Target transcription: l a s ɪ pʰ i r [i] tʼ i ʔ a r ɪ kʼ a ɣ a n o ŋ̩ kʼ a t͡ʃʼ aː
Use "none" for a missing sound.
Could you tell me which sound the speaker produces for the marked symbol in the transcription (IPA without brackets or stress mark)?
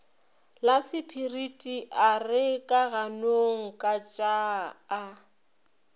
i